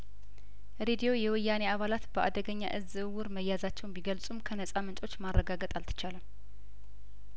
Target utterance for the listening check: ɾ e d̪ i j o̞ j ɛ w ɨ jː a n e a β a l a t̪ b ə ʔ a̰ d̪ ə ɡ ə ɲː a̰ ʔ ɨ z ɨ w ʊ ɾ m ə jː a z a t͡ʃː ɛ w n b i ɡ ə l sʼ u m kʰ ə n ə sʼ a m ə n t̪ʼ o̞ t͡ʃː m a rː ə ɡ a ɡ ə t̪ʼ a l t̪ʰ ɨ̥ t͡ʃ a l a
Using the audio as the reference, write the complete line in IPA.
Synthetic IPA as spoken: ɾ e d̪ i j o̞ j ɛ w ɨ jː a n e a β a l a t̪ b ə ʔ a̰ d̪ ə ɡ ə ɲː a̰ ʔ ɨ z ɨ w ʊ ɾ m ə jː a z a t͡ʃː ɛ w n b i ɡ ə l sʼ u m kʰ ə n ə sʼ a m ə n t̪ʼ o̞ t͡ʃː m a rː ə ɡ a ɡ ə t̪ʼ a l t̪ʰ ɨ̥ t͡ʃ a l ə

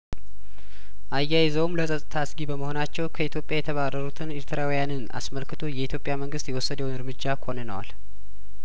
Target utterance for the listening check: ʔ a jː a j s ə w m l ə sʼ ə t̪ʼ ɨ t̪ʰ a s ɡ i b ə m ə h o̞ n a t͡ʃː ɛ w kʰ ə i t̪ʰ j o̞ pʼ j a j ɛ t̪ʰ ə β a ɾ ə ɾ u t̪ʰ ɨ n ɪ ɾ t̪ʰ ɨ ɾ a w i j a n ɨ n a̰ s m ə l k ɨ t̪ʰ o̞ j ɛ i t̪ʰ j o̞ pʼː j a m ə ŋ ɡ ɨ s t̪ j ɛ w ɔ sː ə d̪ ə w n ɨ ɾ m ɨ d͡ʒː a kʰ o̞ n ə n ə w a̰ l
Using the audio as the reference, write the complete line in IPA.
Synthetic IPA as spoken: ʔ a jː a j z ə w m l ə sʼ ə t̪ʼ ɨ t̪ʰ a s ɡ i b ə m ə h o̞ n a t͡ʃː ɛ w kʰ ə i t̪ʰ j o̞ pʼ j a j ɛ t̪ʰ ə β a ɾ ə ɾ u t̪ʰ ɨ n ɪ ɾ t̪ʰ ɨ ɾ a w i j a n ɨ n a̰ s m ə l k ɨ t̪ʰ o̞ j ɛ i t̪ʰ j o̞ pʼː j a m ə ŋ ɡ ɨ s t̪ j ɛ w ɔ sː ə d̪ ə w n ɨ ɾ m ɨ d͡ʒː a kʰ o̞ n ə n ə w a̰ l

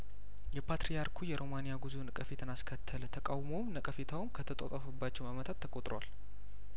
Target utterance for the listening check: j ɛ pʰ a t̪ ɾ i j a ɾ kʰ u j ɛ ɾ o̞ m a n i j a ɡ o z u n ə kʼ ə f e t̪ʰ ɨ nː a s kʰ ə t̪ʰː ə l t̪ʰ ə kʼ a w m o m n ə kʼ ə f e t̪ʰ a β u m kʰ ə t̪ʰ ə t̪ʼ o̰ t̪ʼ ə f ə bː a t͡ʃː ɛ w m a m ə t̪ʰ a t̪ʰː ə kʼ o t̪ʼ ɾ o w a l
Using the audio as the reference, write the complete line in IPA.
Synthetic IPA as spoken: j ɛ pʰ a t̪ ɾ i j a ɾ kʰ u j ɛ ɾ o̞ m a n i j a ɡ u z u n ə kʼ ə f e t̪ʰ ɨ n a s kʰ ə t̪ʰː ə l t̪ʰ ə kʼ a w m o m n ə kʼ ə f e t̪ʰ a w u m kʰ ə t̪ʰ ə t̪ʼ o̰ t̪ʼ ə f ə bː a t͡ʃː ɛ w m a m ə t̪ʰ a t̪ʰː ə kʼ o t̪ʼ ɾ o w a l

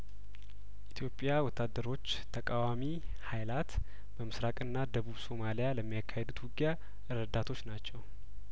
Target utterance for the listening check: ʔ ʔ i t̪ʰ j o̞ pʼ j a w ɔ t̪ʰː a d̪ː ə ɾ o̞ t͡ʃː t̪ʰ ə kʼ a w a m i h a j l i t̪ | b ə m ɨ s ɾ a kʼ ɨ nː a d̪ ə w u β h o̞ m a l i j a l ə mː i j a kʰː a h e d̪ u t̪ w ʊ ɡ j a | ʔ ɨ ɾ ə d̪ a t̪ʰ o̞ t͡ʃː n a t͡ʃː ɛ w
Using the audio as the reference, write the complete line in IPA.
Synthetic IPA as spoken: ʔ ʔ i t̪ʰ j o̞ pʼ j a w ɔ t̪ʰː a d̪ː ə ɾ o̞ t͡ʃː t̪ʰ ə kʼ a w a m i h a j l a t̪ | b ə m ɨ s ɾ a kʼ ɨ nː a d̪ ə β u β s o̞ m a l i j a l ə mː i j a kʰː a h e d̪ u t̪ w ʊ ɡ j a | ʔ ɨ ɾ ə d̪ a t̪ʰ o̞ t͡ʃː n a t͡ʃː ɛ w

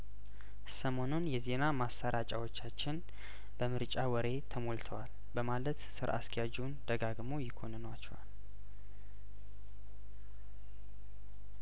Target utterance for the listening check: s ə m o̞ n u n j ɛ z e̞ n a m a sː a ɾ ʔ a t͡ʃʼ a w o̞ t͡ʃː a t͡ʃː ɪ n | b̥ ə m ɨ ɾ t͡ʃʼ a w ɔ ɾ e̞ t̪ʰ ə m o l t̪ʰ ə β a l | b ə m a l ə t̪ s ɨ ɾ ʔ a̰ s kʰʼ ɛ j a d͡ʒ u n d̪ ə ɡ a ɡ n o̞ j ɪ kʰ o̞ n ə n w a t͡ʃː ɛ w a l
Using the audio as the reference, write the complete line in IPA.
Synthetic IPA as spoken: s ə m o̞ n u n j ɛ z e̞ n a m a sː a ɾ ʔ a t͡ʃʼ a w o̞ t͡ʃː a t͡ʃː ɪ n | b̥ ə m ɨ ɾ t͡ʃʼ a w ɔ ɾ e̞ t̪ʰ ə m o l t̪ʰ ə w a l | b ə m a l ə t̪ s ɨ ɾ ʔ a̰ s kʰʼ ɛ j a d͡ʒ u n d̪ ə ɡ a ɡ m o̞ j ɪ kʰ o̞ n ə n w a t͡ʃː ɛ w a l

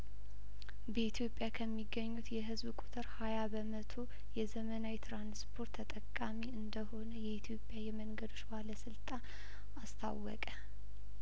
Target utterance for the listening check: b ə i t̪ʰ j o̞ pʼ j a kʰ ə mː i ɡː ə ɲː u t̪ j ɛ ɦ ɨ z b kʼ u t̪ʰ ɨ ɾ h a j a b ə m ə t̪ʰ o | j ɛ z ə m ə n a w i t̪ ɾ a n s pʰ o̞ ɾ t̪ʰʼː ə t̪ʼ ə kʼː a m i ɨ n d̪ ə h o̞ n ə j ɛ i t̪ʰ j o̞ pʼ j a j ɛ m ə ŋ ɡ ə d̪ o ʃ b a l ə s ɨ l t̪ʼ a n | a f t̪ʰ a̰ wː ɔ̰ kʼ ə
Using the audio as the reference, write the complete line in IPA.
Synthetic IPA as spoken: b ə i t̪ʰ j o̞ pʼ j a kʰ ə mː i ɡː ə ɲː u t̪ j ɛ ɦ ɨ z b kʼ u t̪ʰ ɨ ɾ h a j a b ə m ə t̪ʰ o | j ɛ z ə m ə n a w i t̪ ɾ a n s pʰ o̞ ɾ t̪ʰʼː ə t̪ʼ ə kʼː a m i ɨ n d̪ ə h o̞ n ə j ɛ i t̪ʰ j o̞ pʼ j a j ɛ m ə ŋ ɡ ə d̪ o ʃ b a l ə s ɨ l t̪ʼ a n | a s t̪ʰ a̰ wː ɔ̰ kʼ ə

